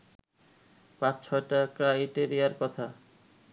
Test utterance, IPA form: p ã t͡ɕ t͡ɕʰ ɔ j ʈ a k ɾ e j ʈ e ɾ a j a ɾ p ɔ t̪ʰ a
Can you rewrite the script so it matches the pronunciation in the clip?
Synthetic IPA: p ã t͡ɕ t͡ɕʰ ɔ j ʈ a k ɾ a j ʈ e ɾ i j a ɾ k ɔ t̪ʰ a